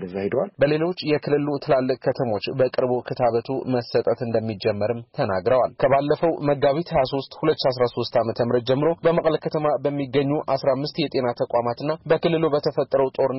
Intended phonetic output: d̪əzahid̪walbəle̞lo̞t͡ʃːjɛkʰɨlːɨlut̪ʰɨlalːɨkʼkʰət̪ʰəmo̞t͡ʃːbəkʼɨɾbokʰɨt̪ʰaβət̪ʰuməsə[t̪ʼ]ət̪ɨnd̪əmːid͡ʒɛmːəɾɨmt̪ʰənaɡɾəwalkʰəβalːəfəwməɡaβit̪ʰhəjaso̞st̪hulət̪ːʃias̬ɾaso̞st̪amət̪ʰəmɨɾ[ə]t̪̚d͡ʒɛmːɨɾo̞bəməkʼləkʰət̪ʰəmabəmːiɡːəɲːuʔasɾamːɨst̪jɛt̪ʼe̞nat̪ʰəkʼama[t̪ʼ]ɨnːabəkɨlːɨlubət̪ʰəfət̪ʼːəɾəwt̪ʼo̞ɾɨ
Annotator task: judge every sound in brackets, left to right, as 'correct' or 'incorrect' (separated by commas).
correct, correct, incorrect